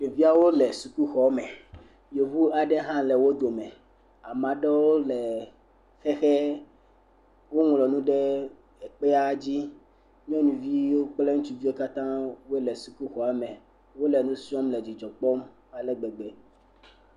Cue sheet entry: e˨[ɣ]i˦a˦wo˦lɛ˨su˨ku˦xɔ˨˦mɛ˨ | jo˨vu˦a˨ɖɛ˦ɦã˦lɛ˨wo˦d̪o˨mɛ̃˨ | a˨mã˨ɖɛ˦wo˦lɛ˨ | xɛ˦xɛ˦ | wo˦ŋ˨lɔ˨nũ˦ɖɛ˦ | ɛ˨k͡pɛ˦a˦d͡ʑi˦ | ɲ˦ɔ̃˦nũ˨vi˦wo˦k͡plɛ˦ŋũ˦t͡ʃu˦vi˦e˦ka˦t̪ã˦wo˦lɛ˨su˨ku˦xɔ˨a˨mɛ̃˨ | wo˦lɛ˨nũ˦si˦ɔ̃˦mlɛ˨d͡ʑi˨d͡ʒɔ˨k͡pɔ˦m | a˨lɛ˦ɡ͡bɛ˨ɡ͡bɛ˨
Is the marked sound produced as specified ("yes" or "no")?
no